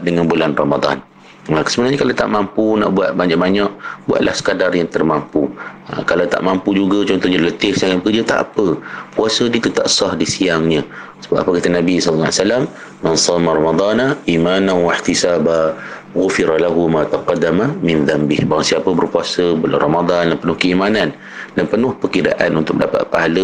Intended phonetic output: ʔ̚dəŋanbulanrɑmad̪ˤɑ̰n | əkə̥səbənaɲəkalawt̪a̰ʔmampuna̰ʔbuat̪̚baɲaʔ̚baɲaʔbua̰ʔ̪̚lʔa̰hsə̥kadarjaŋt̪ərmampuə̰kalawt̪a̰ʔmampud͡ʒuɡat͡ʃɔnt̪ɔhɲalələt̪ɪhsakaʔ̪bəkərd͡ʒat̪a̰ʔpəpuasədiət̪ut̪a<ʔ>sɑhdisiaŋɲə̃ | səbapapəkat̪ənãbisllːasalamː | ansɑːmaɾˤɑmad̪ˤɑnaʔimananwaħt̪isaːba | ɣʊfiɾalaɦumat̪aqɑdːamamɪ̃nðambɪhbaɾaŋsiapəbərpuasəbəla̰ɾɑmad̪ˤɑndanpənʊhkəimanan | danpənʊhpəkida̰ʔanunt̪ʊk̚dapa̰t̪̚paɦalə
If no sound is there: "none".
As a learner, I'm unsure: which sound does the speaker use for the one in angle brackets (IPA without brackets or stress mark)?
ʔ